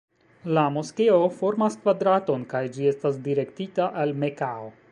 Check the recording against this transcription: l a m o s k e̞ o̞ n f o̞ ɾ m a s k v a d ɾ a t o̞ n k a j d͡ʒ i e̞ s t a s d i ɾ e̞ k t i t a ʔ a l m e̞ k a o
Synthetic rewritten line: l a m o s k e̞ o̞ f o̞ ɾ m a s k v a d ɾ a t o̞ n k a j d͡ʒ i e̞ s t a s d i ɾ e̞ k t i t a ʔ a l m e̞ k a o